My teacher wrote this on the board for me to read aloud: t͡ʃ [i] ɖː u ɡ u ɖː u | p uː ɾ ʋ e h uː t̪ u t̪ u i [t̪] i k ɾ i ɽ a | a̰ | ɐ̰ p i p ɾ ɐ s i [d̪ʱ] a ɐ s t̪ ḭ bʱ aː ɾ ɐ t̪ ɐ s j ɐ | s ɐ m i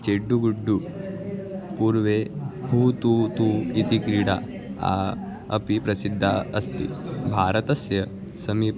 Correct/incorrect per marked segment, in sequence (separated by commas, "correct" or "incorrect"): incorrect, correct, incorrect